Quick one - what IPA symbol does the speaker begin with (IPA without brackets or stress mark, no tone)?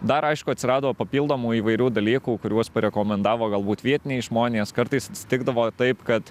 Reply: d̪